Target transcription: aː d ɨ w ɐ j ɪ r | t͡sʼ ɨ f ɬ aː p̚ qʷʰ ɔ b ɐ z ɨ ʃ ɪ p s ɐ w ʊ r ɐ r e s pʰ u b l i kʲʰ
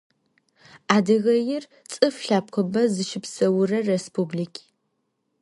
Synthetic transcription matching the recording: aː d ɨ ɣ ɐ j ɪ r | t͡sʼ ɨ f ɬ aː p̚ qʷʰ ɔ b ɐ z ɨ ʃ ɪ p s ɐ w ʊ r ɐ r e s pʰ u b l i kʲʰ